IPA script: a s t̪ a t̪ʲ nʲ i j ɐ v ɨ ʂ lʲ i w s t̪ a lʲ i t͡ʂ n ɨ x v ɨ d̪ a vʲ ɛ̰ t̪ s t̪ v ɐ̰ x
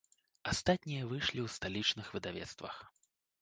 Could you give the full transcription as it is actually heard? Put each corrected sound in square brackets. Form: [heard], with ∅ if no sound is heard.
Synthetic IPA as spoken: a s t̪ a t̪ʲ nʲ i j ɐ v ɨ ʂ lʲ i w s t̪ a lʲ i t͡ʂ n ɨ x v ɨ d̪ a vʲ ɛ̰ t̪ s t̪ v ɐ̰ x